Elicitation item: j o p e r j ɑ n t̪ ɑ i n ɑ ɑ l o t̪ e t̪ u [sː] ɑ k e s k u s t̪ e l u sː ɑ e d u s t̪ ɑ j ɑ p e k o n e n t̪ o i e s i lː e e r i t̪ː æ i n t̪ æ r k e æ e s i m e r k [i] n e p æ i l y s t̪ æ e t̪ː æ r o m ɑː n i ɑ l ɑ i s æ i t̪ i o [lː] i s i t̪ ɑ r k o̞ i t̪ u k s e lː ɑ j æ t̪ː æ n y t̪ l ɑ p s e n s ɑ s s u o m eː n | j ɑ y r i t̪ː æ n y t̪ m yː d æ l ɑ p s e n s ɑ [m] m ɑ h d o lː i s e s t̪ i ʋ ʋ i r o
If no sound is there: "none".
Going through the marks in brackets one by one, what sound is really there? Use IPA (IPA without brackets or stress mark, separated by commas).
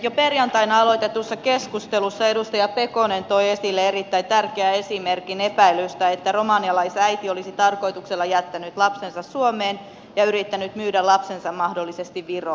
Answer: sː, i, l, m